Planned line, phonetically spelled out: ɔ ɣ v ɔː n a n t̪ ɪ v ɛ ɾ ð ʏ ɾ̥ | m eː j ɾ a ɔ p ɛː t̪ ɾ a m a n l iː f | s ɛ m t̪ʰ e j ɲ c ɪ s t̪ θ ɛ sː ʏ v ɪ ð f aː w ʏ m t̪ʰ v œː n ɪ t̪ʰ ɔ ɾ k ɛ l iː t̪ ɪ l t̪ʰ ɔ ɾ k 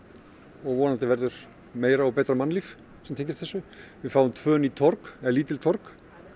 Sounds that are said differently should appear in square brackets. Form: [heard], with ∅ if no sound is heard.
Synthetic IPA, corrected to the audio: ɔ ɣ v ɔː n a n t̪ ɪ v ɛ ɾ ð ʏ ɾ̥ | m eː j ɾ a ɔ p ɛː t̪ ɾ a m a n l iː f | s ɛ m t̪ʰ e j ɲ c ɪ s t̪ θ ɛ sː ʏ v ɪ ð f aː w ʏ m t̪ʰ v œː n [i] t̪ʰ ɔ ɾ k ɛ l iː t̪ ɪ l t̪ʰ ɔ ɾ k

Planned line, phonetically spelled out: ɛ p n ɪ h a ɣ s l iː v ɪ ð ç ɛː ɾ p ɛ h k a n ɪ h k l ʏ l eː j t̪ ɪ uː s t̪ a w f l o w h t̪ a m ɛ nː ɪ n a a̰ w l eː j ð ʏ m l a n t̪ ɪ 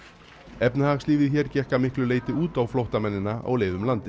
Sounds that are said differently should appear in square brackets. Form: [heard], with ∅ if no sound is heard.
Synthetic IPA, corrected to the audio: ɛ p n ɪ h a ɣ s l iː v ɪ ð ç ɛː ɾ [c] ɛ h k a [m] ɪ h k l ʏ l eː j t̪ ɪ uː [∅] t̪ a w f l o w h t̪ a m ɛ nː ɪ n a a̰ w l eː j ð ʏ m l a n t̪ ɪ

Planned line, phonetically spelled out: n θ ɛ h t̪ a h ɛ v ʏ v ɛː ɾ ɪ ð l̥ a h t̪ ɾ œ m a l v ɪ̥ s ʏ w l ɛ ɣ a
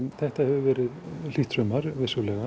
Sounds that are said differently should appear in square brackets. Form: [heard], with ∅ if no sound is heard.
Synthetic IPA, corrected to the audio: n θ ɛ h t̪ a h ɛ v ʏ v ɛː ɾ ɪ ð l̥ [i] h t̪ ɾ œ m a [ɾ] v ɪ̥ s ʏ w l ɛ ɣ a

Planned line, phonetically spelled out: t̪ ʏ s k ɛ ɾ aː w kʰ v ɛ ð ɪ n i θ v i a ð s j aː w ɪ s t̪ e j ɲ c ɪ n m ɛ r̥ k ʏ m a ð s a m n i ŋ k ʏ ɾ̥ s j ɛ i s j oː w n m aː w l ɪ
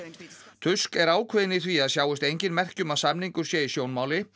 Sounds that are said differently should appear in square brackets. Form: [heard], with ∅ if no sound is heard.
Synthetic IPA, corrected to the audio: [t̪ʰ] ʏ s k ɛ ɾ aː w kʰ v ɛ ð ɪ n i θ v i a ð s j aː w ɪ s t̪ e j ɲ c ɪ n m ɛ r̥ [c] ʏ m a ð s a m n i ŋ k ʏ ɾ̥ s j ɛ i s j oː w n m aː w l ɪ

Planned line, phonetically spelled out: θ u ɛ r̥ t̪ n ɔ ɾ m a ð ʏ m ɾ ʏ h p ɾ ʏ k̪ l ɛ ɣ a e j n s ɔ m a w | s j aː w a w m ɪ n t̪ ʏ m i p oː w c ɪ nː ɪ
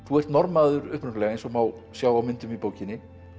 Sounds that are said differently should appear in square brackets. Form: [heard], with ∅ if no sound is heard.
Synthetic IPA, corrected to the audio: θ u ɛ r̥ t̪ n ɔ ɾ m a ð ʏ [∅] ɾ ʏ h p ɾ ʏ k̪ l ɛ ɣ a e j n s ɔ m a w | s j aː w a w m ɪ n t̪ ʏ m i p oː w c ɪ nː ɪ

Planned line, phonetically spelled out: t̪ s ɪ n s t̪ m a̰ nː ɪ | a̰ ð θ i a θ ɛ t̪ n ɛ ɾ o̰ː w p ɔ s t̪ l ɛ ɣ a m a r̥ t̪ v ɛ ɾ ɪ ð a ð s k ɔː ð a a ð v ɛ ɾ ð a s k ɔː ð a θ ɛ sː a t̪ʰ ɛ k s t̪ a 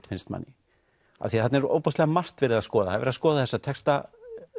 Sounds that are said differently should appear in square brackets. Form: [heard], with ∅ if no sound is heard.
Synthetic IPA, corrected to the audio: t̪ [f] ɪ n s t̪ m a̰ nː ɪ | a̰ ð θ i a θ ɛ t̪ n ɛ ɾ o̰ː w p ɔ s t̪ l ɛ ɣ a m a r̥ t̪ v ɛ ɾ ɪ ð a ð s k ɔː ð a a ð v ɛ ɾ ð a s k ɔː ð a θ ɛ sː a t̪ʰ ɛ k s t̪ a

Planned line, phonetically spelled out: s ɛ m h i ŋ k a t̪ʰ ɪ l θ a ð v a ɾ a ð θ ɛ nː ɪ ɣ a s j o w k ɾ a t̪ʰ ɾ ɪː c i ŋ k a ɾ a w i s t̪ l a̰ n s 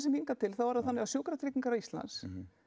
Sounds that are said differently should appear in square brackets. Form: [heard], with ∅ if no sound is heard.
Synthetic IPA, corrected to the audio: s ɛ m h i ŋ k a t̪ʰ ɪ l θ a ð v a ɾ a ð θ [a] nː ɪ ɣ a s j o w k ɾ a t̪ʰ ɾ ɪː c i ŋ k a ɾ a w i s t̪ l a̰ n s

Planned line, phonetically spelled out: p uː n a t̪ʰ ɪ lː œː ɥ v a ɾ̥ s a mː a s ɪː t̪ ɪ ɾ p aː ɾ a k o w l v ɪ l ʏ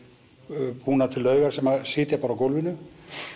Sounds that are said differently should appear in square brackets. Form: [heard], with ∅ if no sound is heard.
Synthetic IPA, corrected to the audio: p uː n a t̪ʰ ɪ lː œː ɥ [ɣ] a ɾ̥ s [ɛ] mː a s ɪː t̪ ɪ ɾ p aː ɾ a k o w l v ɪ l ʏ

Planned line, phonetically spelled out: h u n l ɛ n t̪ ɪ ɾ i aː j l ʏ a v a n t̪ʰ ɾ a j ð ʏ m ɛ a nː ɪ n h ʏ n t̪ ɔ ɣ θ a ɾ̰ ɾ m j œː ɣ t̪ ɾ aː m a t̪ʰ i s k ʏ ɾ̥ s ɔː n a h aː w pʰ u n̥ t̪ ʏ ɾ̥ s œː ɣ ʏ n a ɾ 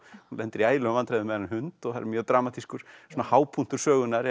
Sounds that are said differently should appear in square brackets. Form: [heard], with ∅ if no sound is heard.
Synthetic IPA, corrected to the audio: h u n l ɛ n t̪ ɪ ɾ i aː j l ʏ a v a n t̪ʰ ɾ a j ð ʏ m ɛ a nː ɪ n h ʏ n t̪ ɔ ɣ θ a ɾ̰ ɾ m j œː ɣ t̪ ɾ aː m a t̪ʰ i s k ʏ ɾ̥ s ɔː n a h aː w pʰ u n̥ t̪ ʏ ɾ̥ s œː ɣ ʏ n a ɾ

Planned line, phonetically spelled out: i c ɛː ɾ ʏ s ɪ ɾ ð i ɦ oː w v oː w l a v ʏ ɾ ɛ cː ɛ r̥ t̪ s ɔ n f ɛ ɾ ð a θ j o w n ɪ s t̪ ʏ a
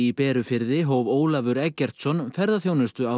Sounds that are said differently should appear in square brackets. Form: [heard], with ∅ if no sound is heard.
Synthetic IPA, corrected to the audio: i [p] ɛː ɾ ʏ [f] ɪ ɾ ð [ɪ] ɦ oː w v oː w l a v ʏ ɾ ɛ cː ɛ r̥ t̪ s ɔ n f ɛ ɾ ð a θ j o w n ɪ s t̪ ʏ a

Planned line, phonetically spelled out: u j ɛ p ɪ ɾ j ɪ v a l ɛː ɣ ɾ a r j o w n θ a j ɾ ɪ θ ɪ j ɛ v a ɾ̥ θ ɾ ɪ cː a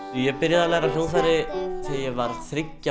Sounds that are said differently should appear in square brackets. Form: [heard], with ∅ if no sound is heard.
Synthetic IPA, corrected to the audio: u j ɛ p ɪ ɾ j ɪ [ð] a l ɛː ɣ ɾ a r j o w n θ a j ɾ ɪ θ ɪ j ɛ v a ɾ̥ θ ɾ ɪ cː a

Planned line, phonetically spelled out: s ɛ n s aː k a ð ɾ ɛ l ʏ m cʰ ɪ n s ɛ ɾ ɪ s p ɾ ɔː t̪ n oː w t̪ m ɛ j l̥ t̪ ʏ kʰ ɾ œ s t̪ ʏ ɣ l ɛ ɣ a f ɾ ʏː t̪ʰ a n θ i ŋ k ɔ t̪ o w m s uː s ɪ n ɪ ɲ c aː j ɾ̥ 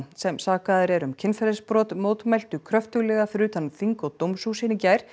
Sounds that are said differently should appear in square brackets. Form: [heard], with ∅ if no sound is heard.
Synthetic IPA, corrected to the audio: s ɛ [m] s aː k a ð ɾ ɛ [ɾ] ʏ m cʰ ɪ n [f] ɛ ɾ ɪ s p ɾ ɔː t̪ [m] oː w t̪ m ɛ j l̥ t̪ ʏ kʰ ɾ œ [f] t̪ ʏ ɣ l ɛ ɣ a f ɾ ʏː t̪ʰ a n θ i ŋ k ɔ t̪ o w m s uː s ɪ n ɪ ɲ c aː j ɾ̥

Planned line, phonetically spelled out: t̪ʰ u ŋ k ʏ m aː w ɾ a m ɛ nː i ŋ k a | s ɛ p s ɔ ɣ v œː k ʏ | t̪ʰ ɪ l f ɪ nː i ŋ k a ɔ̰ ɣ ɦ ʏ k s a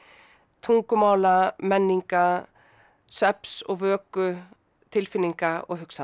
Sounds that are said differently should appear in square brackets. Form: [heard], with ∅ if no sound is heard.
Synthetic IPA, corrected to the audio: t̪ʰ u ŋ k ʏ m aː w [l] a m ɛ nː i ŋ k a | s ɛ p s ɔ ɣ v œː k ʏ | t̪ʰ ɪ l f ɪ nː i ŋ k a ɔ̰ ɣ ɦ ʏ k s a

